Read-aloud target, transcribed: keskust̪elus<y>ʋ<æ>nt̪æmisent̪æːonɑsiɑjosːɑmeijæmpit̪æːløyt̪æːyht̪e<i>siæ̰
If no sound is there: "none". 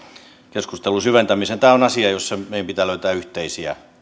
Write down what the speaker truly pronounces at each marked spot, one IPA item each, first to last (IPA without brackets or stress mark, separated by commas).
y, e, i